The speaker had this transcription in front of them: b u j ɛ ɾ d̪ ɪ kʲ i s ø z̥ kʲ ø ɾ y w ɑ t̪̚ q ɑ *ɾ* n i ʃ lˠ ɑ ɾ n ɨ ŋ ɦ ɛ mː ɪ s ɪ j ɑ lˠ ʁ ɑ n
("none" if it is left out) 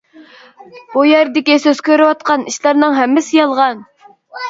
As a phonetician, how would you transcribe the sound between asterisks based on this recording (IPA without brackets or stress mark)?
none